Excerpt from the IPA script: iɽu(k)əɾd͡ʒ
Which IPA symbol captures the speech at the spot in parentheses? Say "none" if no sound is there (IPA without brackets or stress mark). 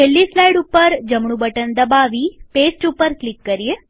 p